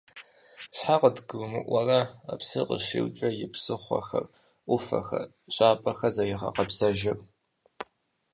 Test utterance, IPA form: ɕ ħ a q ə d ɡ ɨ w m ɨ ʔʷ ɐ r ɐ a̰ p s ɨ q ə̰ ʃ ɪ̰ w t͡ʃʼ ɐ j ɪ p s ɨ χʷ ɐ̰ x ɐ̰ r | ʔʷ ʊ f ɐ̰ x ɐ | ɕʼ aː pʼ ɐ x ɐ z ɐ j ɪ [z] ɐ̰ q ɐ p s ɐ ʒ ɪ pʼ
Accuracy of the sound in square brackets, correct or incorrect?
incorrect: ʁ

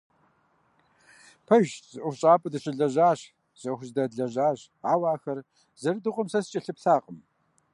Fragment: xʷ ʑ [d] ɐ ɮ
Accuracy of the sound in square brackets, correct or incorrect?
correct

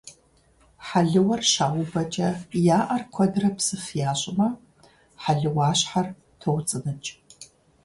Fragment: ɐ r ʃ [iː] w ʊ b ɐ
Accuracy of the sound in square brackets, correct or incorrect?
incorrect: aː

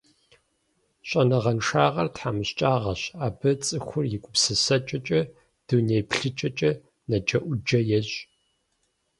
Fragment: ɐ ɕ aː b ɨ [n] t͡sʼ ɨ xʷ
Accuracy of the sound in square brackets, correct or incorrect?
incorrect: none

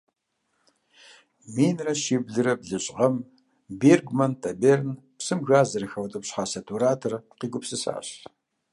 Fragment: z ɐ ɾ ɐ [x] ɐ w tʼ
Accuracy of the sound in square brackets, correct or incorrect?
correct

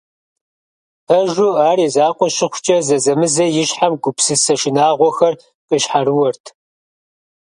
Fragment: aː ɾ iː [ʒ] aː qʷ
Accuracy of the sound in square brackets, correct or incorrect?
incorrect: z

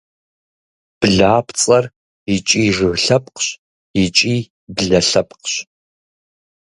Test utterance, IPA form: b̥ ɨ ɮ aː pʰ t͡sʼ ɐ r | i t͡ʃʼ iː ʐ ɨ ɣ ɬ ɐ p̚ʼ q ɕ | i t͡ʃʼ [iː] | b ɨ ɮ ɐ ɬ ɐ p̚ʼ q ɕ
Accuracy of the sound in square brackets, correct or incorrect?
correct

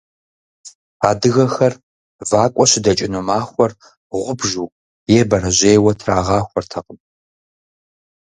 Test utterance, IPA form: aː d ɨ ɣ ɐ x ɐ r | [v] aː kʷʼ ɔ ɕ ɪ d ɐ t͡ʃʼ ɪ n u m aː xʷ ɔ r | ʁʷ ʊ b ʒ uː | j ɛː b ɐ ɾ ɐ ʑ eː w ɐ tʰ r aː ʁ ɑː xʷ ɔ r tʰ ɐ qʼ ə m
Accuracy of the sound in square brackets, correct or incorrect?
correct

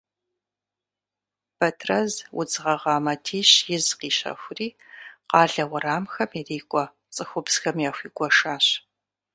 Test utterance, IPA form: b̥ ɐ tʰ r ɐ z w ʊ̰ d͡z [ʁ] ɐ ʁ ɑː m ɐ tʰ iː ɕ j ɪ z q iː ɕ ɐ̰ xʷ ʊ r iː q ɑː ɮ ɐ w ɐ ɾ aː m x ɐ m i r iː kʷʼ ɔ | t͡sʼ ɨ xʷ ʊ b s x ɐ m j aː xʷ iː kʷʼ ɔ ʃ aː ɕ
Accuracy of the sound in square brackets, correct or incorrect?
correct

